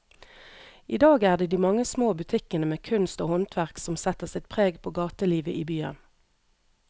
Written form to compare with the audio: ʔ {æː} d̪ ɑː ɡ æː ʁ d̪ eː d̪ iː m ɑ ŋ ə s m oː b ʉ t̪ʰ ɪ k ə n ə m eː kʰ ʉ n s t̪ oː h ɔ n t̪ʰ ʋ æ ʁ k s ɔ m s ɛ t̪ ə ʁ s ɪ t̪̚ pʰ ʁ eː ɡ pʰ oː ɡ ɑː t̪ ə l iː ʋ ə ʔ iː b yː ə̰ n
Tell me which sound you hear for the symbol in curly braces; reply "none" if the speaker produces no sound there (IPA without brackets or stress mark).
iː